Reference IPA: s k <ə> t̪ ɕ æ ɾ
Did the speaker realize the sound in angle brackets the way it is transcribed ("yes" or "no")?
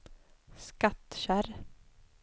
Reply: no